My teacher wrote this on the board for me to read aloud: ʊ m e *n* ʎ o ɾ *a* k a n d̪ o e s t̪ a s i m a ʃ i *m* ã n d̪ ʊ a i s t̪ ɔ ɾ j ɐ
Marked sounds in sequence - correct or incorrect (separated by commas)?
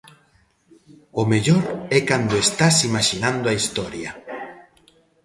incorrect, incorrect, incorrect